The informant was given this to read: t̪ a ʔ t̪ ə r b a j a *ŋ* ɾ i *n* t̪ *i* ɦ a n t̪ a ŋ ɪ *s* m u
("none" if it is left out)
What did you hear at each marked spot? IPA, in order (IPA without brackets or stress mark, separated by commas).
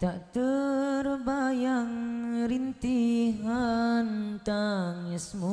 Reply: ŋ, n, i, s